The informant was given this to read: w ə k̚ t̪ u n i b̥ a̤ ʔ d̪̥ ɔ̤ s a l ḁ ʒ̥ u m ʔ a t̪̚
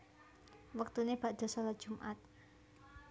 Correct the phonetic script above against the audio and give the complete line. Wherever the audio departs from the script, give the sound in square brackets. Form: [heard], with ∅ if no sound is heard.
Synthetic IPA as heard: w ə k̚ t̪ u n [e] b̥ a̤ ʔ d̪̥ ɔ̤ s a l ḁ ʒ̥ u m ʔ a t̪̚